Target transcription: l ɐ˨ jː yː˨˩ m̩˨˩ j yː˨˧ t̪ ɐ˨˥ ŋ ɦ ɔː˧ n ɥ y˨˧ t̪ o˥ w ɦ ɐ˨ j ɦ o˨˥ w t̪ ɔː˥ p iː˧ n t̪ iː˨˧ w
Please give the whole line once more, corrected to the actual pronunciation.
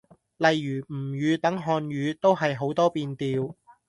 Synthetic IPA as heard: l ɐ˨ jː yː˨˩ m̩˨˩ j yː˨˧ t̪ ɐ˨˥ ŋ ɦ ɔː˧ n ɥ yː˨˧ t̪ o˥ w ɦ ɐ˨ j ɦ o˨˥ w t̪ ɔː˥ p iː˧ n t̪ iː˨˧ w